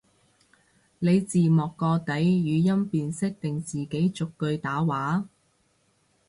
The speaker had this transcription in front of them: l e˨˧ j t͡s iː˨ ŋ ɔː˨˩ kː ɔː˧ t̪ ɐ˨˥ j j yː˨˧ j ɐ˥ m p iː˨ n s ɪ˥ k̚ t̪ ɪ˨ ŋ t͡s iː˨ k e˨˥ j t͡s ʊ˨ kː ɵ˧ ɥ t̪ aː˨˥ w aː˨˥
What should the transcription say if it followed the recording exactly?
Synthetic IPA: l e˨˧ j t͡s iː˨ m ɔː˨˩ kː ɔː˧ t̪ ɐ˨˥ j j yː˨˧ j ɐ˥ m p iː˨ n s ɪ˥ k̚ t̪ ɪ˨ ŋ t͡s iː˨ k e˨˥ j t͡s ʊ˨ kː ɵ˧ ɥ t̪ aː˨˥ w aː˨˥